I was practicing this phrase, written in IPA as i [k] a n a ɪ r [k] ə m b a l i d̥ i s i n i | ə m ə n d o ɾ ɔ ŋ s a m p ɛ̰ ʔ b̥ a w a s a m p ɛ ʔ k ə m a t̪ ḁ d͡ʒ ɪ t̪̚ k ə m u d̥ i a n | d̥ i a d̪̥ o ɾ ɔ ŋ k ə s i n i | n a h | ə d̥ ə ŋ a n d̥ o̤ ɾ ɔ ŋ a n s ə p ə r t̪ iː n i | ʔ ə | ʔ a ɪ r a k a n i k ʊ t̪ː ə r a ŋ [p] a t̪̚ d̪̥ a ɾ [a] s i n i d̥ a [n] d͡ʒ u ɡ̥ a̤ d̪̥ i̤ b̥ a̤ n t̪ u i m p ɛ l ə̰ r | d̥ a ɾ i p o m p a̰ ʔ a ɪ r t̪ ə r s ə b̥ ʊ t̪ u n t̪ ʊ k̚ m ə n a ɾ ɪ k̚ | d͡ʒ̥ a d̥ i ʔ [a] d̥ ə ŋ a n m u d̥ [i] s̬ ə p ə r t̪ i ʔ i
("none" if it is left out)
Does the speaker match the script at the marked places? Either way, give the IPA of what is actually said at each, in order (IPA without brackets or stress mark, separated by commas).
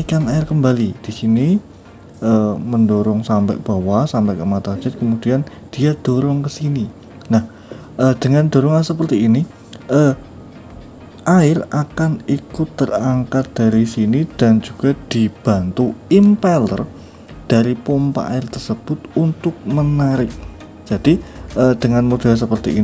k, k, k, i, n, ə, a